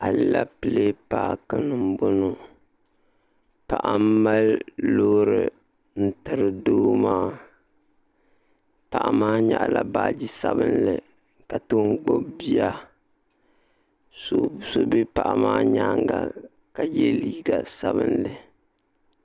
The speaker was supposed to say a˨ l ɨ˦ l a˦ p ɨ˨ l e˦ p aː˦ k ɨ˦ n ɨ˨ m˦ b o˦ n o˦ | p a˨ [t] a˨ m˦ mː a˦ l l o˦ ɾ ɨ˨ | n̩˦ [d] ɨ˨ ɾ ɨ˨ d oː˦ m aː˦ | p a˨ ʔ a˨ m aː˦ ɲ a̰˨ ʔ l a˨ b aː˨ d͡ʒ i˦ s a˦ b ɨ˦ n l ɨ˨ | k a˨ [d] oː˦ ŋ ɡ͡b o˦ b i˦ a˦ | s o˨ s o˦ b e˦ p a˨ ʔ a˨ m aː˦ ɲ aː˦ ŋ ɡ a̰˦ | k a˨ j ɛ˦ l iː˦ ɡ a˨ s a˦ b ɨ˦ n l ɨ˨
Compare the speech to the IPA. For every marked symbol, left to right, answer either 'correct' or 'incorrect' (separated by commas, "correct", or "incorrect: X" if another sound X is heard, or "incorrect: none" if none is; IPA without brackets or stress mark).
incorrect: ʔ, incorrect: t, incorrect: t